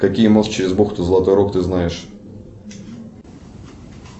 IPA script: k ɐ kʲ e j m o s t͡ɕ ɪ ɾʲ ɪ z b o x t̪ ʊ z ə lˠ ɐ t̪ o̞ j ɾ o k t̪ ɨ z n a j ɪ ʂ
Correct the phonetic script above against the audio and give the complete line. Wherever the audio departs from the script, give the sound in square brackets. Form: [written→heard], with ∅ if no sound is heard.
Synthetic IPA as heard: k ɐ kʲ [e→i] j m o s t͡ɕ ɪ ɾʲ ɪ z b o x t̪ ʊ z ə lˠ ɐ t̪ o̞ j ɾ o k t̪ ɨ z n a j ɪ ʂ